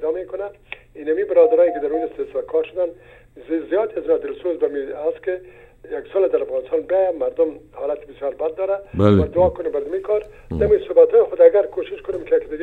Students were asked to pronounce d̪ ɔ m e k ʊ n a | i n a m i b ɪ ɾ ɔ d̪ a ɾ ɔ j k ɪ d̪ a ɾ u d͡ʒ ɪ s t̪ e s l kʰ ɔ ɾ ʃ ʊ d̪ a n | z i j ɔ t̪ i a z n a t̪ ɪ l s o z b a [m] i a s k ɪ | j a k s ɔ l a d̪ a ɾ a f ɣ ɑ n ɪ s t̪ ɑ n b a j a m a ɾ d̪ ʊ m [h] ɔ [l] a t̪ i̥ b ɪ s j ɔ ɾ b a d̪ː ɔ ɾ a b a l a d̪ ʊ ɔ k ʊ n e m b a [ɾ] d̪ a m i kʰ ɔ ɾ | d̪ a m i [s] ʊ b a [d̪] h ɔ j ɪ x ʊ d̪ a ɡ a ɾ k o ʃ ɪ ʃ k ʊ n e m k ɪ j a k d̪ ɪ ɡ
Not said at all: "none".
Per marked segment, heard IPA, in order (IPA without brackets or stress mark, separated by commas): m, h, l, ɾ, s, t̪